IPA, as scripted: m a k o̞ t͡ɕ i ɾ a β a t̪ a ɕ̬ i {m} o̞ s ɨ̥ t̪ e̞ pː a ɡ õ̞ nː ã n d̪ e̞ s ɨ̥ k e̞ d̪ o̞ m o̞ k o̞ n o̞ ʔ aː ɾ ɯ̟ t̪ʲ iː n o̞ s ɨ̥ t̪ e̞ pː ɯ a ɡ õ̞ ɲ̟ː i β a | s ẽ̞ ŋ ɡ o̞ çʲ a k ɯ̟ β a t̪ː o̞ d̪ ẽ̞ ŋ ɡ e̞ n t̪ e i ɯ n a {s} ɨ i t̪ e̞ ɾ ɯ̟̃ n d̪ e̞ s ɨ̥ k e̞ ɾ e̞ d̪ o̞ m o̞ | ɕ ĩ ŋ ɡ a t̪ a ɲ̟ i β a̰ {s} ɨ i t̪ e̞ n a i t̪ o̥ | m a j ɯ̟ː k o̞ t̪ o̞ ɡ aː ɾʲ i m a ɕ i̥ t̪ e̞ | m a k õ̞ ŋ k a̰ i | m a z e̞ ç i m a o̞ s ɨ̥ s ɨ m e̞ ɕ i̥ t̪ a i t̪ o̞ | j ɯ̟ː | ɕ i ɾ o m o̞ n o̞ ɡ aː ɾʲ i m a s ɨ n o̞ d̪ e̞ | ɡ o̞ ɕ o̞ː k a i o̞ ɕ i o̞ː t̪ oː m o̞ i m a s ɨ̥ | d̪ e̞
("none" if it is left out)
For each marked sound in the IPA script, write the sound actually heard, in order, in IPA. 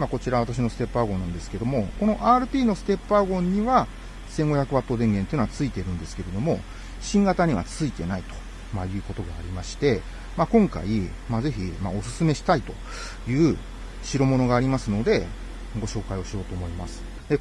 n, t͡s, t͡s

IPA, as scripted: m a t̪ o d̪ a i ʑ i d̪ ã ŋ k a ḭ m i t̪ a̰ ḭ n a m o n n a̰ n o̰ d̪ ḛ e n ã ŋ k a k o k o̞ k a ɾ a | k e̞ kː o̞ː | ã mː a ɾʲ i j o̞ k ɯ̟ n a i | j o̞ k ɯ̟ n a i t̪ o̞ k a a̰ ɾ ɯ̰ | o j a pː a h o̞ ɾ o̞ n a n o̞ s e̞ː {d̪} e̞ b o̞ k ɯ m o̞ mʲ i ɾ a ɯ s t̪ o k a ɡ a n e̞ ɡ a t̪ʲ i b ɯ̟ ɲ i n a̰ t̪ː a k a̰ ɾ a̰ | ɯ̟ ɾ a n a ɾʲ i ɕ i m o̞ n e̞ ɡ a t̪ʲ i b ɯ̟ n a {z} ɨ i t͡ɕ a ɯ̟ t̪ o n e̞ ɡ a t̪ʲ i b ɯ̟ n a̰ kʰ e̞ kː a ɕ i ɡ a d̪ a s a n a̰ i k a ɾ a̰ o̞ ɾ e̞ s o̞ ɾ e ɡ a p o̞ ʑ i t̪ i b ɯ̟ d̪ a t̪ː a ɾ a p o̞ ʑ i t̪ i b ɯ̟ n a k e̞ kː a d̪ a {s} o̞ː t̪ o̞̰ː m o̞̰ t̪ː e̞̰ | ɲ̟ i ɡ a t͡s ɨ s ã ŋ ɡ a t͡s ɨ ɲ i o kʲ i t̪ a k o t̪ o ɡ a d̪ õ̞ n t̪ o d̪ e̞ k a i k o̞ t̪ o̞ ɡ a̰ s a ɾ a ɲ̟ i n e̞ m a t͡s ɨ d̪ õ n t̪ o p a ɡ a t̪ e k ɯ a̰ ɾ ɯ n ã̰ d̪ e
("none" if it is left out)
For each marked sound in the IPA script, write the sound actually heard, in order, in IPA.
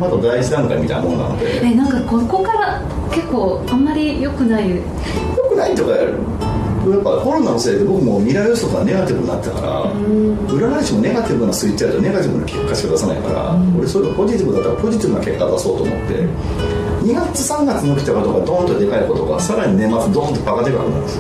d̪, s, s

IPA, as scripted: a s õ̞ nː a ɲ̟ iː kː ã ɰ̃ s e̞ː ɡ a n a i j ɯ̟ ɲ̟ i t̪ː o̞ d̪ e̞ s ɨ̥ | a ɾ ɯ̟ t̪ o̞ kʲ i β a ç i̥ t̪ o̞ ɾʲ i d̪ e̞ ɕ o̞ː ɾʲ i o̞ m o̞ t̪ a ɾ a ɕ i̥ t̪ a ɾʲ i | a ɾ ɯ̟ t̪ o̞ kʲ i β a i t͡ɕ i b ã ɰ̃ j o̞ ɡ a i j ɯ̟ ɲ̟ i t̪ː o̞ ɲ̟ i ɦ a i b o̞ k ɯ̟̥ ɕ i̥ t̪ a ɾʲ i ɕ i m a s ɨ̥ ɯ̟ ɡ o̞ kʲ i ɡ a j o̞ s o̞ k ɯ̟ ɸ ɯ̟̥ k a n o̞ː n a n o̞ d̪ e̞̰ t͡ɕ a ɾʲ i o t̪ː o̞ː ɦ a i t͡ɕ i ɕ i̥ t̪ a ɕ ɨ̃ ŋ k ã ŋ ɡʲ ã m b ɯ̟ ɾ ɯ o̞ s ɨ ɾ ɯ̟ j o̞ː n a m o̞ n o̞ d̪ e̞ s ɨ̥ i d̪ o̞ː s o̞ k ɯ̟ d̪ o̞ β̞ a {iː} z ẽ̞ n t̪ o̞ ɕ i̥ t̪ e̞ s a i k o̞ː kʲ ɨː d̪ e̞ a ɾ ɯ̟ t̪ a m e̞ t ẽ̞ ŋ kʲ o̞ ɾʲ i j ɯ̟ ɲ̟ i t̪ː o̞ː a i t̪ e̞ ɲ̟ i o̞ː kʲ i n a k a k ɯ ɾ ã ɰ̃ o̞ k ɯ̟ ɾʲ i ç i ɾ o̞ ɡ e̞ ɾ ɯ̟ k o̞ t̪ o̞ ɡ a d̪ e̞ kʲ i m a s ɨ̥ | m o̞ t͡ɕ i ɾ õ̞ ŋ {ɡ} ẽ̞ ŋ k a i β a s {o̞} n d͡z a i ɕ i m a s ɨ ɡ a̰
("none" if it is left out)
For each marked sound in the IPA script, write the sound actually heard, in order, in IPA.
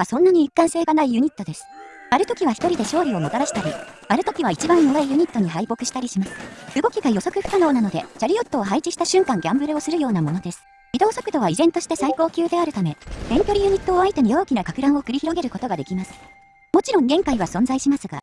i, ɡ, õ̞

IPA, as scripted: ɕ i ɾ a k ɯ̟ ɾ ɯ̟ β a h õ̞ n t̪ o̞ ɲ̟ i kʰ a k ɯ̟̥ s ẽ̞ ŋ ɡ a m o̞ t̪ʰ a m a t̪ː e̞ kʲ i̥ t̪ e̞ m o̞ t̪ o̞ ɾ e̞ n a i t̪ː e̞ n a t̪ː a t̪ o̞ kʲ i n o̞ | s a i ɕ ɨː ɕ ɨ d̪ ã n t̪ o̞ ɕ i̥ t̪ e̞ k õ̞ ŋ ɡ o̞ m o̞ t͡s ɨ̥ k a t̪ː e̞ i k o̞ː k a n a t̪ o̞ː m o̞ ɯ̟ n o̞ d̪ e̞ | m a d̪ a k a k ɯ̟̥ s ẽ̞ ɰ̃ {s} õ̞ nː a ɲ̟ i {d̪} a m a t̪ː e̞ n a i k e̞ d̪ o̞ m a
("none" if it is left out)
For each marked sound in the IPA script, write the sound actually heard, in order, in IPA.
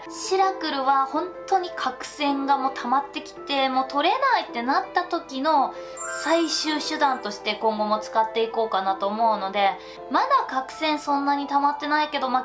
s, t̪

